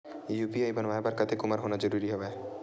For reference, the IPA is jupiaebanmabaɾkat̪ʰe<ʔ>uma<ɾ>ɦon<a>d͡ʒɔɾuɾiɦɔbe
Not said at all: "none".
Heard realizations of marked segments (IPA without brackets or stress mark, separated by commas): k, ɾ, a